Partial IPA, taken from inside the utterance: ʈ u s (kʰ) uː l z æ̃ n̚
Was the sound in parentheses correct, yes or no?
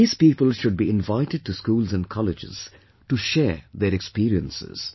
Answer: no